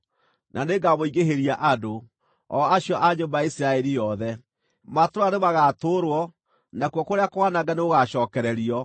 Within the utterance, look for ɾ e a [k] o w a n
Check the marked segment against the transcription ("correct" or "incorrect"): correct